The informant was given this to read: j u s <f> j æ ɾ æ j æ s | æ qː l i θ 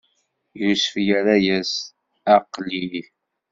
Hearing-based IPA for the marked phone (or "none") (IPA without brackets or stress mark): f